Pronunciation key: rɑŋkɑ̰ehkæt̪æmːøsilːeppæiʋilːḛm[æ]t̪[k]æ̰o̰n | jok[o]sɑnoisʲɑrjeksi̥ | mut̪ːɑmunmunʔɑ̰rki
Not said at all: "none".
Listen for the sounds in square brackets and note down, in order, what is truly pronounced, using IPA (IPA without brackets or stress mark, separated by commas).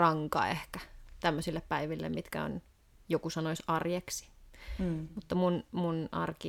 i, k, u